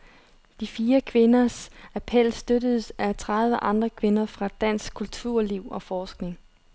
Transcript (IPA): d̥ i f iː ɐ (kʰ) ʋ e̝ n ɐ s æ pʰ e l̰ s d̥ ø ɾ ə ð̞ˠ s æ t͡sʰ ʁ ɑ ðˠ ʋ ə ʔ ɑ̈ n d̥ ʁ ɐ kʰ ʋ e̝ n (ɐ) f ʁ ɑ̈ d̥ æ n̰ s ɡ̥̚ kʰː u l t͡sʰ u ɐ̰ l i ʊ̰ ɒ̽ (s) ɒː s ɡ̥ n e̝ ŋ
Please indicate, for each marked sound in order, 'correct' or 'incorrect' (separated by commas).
correct, correct, incorrect